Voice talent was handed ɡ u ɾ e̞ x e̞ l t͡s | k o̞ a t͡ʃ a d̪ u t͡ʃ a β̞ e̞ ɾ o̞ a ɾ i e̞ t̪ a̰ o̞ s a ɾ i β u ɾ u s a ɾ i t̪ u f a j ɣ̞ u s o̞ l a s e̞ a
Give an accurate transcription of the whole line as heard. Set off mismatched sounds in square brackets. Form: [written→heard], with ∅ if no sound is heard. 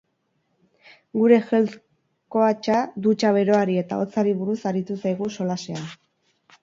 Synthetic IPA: ɡ u ɾ e̞ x e̞ l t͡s | k o̞ a t͡ʃ a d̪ u t͡ʃ a β̞ e̞ ɾ o̞ a ɾ i e̞ t̪ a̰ o̞ [s→t͡s] a ɾ i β u ɾ u s a ɾ i t̪ u [f→s] a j ɣ̞ u s o̞ l a s e̞ a